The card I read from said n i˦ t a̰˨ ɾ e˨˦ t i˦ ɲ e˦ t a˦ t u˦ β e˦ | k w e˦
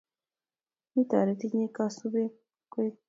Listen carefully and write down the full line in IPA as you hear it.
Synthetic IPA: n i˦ t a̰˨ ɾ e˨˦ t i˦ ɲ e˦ k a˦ s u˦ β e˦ | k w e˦